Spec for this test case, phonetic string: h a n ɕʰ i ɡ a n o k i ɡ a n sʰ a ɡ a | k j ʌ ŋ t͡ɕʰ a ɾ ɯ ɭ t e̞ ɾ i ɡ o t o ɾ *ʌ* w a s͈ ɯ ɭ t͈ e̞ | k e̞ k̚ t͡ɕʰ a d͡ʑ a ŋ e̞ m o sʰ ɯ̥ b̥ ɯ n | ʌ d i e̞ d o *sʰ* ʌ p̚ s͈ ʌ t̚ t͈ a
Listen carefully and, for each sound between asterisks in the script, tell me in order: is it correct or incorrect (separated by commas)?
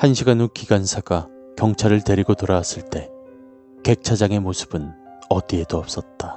incorrect, incorrect